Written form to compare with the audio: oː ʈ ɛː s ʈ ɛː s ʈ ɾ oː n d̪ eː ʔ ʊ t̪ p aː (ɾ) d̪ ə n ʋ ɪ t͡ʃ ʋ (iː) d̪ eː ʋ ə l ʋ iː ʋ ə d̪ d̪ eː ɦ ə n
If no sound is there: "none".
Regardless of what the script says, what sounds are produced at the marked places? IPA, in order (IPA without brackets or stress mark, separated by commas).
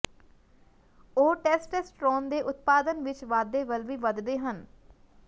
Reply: none, aː